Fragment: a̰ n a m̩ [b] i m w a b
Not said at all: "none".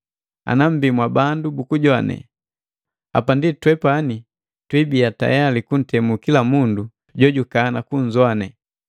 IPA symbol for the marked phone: b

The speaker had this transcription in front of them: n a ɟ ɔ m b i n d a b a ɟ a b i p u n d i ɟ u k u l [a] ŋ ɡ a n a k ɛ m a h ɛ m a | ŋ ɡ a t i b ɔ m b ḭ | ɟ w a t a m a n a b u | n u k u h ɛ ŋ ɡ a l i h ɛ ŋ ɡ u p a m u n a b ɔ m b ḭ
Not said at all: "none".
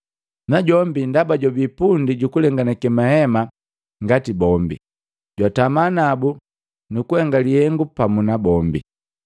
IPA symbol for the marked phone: ɛ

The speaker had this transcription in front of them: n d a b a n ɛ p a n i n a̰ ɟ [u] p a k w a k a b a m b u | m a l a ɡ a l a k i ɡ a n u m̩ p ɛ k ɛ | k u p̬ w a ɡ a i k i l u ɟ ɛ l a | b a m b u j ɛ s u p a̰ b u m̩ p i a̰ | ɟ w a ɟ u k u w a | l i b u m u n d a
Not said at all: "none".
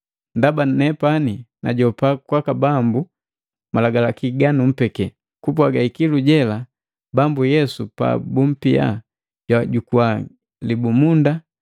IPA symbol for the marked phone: ɔ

